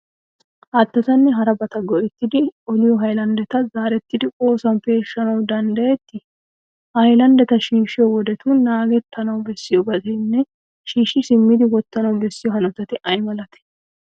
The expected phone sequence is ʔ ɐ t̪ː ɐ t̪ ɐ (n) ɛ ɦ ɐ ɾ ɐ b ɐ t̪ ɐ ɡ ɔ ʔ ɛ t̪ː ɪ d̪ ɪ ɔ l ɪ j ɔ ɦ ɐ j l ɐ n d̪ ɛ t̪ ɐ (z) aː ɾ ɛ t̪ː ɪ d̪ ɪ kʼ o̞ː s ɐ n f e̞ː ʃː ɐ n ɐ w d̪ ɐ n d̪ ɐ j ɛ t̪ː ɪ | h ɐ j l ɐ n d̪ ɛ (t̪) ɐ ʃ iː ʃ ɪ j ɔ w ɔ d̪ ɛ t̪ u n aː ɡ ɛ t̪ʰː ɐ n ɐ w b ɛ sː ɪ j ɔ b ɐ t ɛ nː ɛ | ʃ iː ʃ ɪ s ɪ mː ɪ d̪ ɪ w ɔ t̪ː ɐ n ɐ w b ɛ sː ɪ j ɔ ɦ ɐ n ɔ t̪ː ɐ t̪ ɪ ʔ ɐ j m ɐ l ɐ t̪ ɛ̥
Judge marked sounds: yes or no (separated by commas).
no, yes, yes